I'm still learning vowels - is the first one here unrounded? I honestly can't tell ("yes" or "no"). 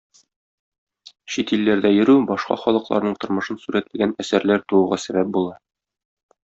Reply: yes